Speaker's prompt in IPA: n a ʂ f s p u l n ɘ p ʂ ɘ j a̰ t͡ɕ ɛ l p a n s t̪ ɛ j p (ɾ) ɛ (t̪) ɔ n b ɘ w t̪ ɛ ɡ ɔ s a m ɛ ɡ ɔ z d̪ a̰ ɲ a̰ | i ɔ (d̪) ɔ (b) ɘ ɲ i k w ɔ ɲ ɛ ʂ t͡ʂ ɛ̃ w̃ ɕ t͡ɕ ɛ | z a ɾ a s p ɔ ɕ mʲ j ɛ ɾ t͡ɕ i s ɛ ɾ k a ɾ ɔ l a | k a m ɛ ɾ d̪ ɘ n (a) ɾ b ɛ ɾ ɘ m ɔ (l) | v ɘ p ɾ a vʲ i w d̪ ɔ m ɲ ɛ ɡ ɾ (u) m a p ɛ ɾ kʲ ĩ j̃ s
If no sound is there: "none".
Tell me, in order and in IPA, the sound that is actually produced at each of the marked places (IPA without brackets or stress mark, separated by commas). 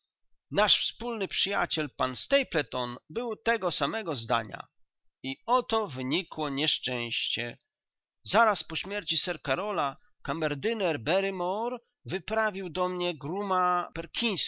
l, t̪, t̪, v, ɛ, ɾ, u